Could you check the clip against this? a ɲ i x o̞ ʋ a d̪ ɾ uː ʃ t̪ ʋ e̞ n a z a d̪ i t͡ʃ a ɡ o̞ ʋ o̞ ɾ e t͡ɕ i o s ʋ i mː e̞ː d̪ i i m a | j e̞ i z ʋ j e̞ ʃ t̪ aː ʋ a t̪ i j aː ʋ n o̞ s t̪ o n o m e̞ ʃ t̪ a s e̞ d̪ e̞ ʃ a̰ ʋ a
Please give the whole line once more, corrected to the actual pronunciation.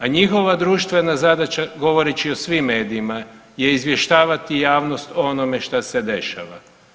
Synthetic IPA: a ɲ i x o̞ ʋ a d̪ ɾ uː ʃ t̪ ʋ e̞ n a z a d̪ a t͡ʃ a ɡ o̞ ʋ o̞ ɾ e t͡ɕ i o s ʋ i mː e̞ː d̪ i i m a | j e̞ i z ʋ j e̞ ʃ t̪ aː ʋ a t̪ i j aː ʋ n o̞ s t̪ o n o m e̞ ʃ t̪ a s e̞ d̪ e̞ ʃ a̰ ʋ a

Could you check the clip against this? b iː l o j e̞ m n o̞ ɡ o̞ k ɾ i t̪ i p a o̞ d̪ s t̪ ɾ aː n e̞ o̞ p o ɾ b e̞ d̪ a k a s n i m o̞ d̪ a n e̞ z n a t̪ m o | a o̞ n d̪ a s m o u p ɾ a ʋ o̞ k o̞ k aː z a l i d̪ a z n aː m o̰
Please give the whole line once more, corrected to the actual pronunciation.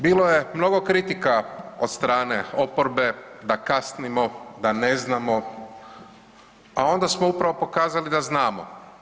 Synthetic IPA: b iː l o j e̞ m n o̞ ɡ o̞ k ɾ i t̪ i k a o̞ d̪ s t̪ ɾ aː n e̞ o̞ p o ɾ b e̞ d̪ a k a s n i m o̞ d̪ a n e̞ z n a m o | a o̞ n d̪ a s m o u p ɾ a ʋ o̞ p o̞ k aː z a l i d̪ a z n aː m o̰

